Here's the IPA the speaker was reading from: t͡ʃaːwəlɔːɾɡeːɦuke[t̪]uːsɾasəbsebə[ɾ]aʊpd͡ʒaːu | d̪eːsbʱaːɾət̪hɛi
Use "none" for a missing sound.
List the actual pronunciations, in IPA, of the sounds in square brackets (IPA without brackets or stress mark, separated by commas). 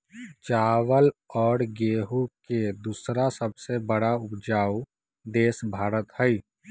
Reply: d̪, ɽ